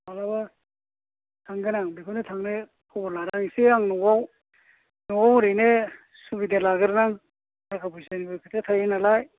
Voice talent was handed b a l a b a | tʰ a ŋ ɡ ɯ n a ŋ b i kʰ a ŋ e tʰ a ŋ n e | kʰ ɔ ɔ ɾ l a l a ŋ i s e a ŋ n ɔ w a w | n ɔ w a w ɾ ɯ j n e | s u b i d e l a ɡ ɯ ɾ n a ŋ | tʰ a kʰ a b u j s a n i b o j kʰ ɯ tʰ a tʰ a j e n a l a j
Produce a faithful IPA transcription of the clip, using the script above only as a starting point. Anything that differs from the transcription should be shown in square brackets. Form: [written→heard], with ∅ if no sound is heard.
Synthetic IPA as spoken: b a l a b a | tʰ a ŋ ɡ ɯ n a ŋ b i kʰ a [ŋ→n] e tʰ a ŋ n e | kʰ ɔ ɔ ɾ l a [l→ɾ] a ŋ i s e a ŋ n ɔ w a w | n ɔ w a w ɾ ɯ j n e | s u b i d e l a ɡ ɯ ɾ n a ŋ | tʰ a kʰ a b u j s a n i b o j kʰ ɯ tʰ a tʰ a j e n a l a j